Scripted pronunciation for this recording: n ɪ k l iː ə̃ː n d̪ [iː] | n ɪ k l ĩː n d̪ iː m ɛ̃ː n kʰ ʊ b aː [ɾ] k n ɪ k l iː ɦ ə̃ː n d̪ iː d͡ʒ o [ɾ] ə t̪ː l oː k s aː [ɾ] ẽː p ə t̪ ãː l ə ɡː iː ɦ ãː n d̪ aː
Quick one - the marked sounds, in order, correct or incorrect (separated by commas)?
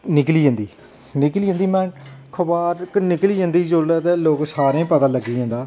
correct, correct, incorrect, correct